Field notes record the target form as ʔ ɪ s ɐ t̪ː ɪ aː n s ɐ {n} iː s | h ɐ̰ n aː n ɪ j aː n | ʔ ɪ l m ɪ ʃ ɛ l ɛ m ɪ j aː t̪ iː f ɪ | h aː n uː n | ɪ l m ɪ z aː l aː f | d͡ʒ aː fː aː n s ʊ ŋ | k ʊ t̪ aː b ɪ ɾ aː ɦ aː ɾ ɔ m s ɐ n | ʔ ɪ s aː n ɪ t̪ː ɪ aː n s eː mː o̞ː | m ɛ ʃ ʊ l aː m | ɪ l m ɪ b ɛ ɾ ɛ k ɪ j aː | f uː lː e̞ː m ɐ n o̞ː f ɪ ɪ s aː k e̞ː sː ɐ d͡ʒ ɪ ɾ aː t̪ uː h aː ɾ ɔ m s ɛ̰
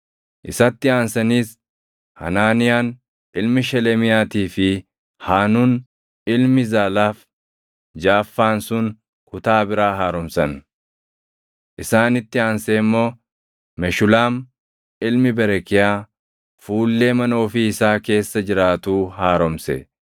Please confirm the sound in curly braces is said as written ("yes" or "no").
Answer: yes